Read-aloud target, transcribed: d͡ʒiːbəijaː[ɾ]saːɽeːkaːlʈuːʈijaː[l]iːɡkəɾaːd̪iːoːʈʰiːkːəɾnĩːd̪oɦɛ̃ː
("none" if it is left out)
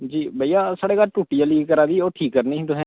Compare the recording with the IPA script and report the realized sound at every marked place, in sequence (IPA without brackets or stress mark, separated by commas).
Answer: none, l